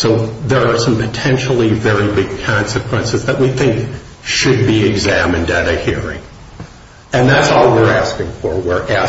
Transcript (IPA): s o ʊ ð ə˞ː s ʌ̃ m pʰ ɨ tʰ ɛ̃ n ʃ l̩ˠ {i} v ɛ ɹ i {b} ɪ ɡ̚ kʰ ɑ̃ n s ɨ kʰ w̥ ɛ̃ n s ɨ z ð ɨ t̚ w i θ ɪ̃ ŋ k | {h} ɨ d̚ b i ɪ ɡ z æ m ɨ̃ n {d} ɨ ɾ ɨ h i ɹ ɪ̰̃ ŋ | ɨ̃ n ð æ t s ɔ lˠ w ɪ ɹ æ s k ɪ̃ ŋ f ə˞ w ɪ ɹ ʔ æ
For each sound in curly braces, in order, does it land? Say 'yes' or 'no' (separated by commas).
yes, yes, no, yes